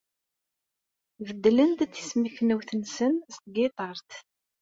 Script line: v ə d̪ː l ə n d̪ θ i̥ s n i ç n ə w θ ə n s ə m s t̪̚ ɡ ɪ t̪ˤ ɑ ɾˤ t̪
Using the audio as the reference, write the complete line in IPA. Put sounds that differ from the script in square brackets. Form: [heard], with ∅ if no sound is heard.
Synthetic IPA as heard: v ə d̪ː l ə n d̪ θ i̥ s [m] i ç n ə w θ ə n s ə [n] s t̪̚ ɡ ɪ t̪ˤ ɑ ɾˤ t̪